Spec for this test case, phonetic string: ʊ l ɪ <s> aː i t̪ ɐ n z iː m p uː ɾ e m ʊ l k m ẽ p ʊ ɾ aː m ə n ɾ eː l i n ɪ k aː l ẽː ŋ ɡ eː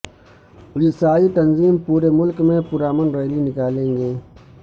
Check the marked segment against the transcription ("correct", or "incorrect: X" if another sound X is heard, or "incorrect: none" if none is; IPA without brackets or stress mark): correct